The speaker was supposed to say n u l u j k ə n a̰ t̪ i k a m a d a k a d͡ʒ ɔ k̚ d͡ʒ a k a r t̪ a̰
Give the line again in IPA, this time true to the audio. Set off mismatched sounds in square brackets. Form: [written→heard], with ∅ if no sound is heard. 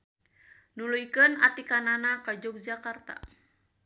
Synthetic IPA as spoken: n u l u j k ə n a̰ t̪ i k a [m→n] a [d→n] a k a d͡ʒ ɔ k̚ d͡ʒ a k a r t̪ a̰